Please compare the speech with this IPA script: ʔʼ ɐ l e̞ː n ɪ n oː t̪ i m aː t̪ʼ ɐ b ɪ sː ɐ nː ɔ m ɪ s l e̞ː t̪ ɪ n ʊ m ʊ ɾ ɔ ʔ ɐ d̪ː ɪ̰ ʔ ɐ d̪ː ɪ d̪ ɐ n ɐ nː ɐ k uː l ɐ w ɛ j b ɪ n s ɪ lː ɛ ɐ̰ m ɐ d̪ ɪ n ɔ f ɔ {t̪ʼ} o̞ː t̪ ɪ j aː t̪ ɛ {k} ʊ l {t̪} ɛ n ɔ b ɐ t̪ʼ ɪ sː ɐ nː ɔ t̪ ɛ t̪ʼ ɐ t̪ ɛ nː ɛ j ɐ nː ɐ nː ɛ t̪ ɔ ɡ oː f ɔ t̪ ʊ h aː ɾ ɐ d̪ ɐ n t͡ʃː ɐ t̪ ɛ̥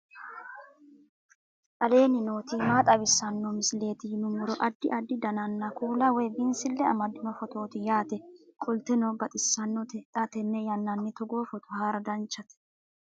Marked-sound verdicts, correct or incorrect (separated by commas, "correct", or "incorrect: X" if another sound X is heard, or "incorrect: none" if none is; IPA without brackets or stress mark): incorrect: t̪, incorrect: kʼ, correct